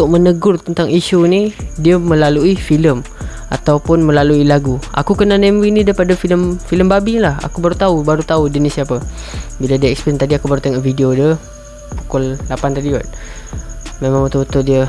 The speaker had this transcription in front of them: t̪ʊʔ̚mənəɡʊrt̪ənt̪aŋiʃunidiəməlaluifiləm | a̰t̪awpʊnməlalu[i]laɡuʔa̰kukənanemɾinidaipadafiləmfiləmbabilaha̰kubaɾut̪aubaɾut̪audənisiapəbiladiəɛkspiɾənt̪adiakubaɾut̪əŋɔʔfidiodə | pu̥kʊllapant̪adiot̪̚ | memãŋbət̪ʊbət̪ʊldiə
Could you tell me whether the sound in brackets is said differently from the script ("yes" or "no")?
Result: no